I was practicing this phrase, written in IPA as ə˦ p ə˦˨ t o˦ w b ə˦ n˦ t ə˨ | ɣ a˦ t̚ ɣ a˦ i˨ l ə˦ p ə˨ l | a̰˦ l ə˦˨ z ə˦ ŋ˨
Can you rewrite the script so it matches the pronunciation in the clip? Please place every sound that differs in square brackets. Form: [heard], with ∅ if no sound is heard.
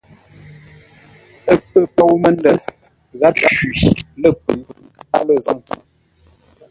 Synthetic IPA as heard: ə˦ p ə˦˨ [p] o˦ w [m] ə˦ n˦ [d] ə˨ | ɣ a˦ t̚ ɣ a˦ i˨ l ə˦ p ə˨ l | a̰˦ l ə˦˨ z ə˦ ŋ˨